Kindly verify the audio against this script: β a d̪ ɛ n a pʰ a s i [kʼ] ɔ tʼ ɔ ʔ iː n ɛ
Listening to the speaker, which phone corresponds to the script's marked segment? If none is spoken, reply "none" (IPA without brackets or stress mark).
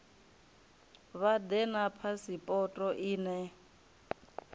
pʼ